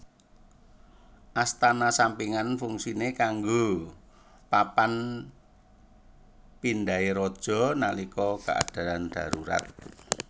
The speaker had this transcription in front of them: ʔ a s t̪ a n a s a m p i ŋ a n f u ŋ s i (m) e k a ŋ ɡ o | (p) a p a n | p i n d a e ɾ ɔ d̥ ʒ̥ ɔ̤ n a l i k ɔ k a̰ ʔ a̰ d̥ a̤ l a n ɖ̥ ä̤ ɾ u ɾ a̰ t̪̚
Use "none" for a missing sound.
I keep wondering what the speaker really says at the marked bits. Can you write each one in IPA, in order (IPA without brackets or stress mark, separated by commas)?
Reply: n, p